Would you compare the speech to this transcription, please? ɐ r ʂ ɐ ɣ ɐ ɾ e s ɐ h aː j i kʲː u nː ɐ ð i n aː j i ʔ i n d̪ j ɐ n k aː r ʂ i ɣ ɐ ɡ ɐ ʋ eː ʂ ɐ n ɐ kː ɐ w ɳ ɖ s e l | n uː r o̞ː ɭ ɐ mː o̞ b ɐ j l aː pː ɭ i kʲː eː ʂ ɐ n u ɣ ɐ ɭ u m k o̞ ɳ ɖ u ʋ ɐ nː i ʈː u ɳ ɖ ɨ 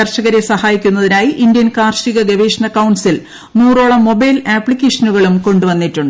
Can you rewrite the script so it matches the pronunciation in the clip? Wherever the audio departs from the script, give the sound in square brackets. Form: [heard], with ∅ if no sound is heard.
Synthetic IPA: ɐ r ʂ ɐ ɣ ɐ ɾ e s ɐ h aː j i kʲː u nː ɐ ð i n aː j i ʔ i n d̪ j ɐ n k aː r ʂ i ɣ ɐ ɡ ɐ ʋ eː ʂ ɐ n ɐ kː ɐ w ɳ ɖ s [i] l | n uː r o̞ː ɭ ɐ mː o̞ b ɐ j l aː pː ɭ i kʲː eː ʂ ɐ n u ɣ ɐ ɭ u m k o̞ ɳ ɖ u ʋ ɐ nː i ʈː u ɳ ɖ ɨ